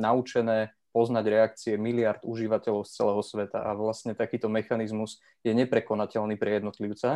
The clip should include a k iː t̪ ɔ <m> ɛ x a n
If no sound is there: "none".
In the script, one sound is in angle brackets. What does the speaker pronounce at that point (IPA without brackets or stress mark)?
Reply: m